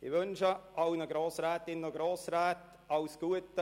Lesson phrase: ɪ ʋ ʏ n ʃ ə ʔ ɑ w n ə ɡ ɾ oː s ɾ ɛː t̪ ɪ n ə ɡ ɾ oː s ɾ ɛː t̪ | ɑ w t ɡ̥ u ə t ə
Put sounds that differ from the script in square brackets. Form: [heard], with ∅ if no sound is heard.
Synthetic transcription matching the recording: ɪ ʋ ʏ n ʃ ə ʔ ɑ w n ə ɡ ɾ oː s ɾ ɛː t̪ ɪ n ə ɡ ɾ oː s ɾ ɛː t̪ | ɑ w [s] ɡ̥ u ə t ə